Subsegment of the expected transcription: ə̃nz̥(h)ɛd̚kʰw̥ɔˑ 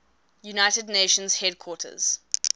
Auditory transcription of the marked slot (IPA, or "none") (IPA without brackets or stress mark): h